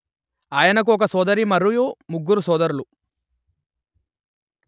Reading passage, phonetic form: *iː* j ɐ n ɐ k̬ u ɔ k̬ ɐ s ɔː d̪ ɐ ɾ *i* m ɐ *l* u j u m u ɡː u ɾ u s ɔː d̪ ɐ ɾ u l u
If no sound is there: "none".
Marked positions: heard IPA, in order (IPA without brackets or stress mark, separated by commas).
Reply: aː, i, ɾ